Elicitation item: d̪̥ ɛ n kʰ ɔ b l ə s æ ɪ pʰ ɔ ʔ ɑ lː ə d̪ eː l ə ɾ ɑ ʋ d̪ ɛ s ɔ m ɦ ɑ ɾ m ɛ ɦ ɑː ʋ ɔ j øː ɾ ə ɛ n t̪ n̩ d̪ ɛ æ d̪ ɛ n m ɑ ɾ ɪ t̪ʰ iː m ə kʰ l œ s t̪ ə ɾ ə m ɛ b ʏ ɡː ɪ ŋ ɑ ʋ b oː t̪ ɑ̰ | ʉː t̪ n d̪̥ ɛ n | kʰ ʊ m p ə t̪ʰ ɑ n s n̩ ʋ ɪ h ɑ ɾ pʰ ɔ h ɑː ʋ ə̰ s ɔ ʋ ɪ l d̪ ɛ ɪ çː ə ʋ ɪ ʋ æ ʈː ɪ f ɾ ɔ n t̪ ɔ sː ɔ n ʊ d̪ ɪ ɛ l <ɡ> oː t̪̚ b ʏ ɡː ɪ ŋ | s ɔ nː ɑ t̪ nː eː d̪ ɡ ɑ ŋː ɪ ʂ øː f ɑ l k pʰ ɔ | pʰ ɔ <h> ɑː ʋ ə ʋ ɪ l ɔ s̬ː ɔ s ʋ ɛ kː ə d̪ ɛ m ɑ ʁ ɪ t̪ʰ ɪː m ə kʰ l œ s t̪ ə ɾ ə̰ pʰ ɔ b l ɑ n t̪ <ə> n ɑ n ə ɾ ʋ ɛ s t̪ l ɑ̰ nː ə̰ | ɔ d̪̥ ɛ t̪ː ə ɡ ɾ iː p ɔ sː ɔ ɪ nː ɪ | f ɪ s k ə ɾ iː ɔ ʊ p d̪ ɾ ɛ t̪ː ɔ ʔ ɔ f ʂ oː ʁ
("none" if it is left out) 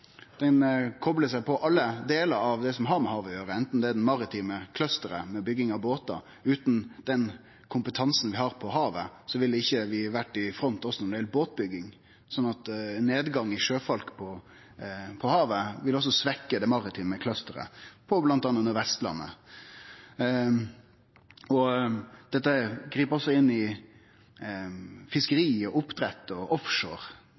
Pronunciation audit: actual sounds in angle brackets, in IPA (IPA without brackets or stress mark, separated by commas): b, h, ɑ